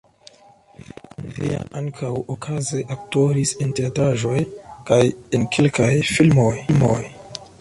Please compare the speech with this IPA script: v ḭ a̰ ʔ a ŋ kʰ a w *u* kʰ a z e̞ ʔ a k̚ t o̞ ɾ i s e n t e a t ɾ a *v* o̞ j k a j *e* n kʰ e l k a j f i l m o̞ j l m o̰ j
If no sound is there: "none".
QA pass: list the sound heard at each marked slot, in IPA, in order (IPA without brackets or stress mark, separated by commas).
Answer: o, ʒ, e